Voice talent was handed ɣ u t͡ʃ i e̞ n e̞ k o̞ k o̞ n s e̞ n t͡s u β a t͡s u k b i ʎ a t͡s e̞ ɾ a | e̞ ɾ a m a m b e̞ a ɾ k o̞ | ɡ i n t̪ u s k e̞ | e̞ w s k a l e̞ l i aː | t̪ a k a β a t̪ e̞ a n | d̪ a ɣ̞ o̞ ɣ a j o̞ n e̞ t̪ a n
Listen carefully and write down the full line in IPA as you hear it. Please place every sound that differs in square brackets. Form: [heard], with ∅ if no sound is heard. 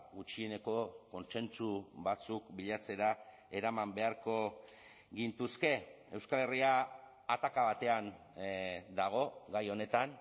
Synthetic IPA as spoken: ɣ u t͡ʃ i e̞ n e̞ k o̞ k o̞ n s e̞ n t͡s u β a t͡s u k b i ʎ a t͡s e̞ ɾ a | e̞ ɾ a m a m b e̞ a ɾ k o̞ | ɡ i n t̪ u s k e̞ | e̞ w s k a l e̞ [r] i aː | t̪ a k a β a t̪ e̞ a n | d̪ a ɣ̞ o̞ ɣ a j o̞ n e̞ t̪ a n